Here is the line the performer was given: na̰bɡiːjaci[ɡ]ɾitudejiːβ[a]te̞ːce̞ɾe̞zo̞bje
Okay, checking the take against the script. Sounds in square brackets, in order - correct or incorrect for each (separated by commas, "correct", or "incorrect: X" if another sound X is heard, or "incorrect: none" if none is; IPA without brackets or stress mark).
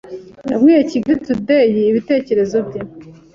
correct, incorrect: i